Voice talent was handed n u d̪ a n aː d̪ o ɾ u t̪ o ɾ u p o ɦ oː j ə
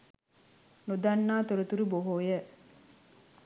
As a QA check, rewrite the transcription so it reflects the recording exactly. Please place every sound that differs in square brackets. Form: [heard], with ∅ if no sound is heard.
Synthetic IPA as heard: n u d̪ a [nː] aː [t̪] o ɾ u t̪ [u] ɾ u [b] o ɦ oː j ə